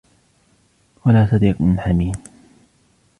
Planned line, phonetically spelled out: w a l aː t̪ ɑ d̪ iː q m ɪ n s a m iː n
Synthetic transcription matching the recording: w a l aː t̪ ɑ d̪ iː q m ɪ n ħ a m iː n